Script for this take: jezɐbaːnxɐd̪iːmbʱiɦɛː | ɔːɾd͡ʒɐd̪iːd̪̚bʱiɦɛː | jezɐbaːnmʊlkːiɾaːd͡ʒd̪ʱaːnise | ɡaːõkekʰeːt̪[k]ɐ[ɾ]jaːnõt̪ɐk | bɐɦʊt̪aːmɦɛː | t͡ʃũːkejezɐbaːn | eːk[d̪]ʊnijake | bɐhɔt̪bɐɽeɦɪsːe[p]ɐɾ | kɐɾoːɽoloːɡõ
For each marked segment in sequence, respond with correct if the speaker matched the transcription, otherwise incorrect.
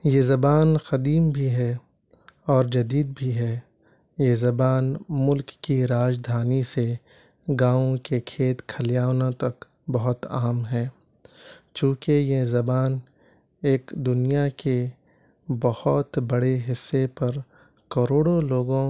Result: incorrect: kʰ, incorrect: l, correct, correct

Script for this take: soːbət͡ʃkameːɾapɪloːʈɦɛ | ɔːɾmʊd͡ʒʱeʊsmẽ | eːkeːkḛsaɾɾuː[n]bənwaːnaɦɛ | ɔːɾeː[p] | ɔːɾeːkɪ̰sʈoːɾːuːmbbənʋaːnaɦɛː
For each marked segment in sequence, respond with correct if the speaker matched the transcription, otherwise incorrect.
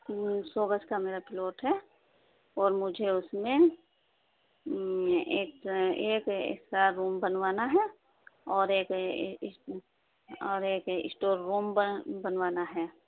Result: incorrect: m, incorrect: k

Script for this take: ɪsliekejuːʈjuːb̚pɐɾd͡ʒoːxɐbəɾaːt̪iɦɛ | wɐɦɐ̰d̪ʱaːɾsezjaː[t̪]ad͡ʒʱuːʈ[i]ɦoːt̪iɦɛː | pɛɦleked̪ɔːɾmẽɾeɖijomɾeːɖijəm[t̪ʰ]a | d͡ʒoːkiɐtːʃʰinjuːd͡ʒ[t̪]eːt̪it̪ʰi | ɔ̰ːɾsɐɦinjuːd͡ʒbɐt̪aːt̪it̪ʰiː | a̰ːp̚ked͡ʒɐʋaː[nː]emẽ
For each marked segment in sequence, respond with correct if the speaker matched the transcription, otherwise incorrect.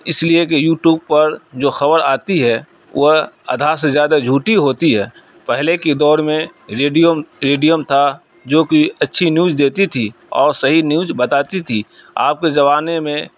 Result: incorrect: d̪, correct, correct, incorrect: d̪, incorrect: n

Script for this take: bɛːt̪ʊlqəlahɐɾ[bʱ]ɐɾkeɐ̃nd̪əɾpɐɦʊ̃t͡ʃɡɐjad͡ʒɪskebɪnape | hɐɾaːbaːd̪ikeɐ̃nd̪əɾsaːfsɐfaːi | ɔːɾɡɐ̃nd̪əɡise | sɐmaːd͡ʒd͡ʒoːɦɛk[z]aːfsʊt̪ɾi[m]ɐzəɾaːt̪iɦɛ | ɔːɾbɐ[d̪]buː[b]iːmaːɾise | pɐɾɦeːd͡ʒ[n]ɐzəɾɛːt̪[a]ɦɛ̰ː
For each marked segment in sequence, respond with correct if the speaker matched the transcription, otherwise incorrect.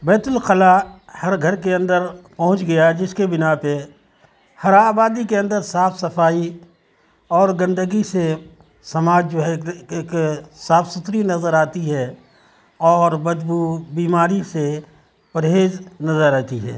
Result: incorrect: ɡʱ, incorrect: s, incorrect: n, correct, correct, correct, incorrect: i

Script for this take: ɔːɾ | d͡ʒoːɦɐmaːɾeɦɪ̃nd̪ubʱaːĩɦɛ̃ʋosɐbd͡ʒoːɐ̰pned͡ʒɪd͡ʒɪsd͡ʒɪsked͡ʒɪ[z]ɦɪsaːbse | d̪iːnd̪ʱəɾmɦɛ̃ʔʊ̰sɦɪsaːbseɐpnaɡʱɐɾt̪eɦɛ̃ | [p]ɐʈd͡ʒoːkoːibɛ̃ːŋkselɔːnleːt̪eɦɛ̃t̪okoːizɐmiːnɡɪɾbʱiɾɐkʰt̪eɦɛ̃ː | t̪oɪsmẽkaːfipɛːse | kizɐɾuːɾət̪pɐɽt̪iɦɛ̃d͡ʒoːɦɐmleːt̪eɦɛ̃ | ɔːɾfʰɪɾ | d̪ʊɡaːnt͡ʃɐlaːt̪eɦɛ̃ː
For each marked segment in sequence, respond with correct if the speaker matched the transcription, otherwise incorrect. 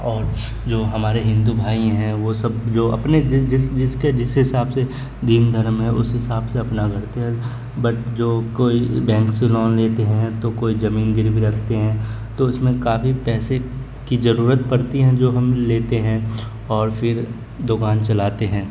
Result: incorrect: s, incorrect: b

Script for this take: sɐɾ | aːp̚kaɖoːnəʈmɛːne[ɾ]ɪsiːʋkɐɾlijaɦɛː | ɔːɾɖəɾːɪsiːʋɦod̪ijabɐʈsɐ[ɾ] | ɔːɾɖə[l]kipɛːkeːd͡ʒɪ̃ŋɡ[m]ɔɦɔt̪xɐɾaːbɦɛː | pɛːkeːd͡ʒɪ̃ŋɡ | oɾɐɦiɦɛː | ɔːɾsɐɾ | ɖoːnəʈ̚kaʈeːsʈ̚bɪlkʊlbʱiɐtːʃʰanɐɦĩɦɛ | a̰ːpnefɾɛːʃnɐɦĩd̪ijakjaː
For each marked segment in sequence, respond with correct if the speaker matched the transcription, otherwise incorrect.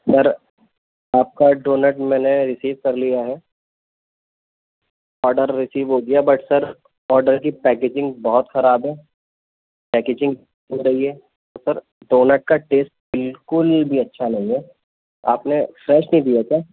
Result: correct, correct, incorrect: ɾ, incorrect: b

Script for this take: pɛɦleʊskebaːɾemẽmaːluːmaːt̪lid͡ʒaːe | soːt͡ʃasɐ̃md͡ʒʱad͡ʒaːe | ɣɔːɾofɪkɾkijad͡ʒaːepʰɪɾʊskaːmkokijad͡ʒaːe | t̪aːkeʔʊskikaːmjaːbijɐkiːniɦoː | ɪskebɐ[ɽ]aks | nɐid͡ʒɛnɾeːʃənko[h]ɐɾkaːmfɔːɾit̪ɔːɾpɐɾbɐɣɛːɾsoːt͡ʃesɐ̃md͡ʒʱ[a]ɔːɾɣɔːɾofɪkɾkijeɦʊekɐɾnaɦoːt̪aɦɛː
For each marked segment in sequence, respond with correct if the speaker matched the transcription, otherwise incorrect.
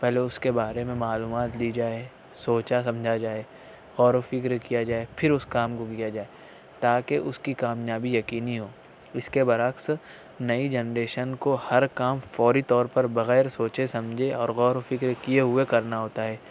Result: incorrect: ɾ, correct, incorrect: e

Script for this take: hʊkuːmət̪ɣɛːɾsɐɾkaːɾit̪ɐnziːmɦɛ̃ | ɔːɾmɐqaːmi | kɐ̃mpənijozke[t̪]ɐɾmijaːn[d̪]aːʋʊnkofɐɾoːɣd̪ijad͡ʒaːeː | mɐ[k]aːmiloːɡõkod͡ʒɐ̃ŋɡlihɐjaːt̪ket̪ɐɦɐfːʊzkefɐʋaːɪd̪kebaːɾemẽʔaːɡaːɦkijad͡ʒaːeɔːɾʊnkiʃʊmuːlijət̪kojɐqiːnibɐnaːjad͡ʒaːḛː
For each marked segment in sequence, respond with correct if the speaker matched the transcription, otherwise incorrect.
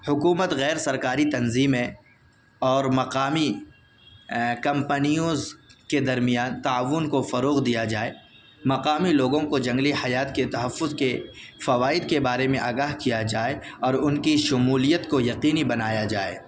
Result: incorrect: d̪, incorrect: t̪, incorrect: q

